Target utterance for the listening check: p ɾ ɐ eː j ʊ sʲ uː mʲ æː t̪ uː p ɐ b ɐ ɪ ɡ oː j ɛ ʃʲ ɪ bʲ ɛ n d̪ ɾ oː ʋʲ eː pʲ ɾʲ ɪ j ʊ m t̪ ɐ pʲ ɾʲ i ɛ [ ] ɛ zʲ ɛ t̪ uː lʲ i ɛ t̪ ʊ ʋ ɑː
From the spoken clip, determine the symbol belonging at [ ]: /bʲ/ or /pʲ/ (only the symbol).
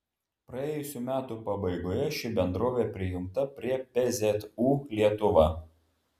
pʲ